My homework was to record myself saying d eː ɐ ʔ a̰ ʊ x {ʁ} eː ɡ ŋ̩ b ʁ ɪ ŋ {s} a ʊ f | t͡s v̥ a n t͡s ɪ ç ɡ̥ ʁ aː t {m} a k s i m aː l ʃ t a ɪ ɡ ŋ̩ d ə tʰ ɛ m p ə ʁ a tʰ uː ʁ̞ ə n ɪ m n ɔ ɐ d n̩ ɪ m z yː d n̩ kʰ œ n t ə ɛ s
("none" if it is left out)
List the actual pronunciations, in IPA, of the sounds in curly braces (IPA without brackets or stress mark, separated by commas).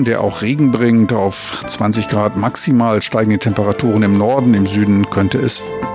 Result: ʁ, t, m